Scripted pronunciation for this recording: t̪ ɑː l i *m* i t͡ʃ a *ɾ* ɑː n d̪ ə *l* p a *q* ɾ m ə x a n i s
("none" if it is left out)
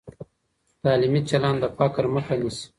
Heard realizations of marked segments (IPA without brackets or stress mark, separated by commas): m, l, none, k